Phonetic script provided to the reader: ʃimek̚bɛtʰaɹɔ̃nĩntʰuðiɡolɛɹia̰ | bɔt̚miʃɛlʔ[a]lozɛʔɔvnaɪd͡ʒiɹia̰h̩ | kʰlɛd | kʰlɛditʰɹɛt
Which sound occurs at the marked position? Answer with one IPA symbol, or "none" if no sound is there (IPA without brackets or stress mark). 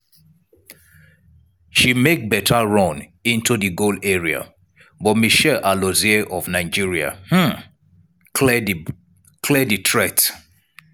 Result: a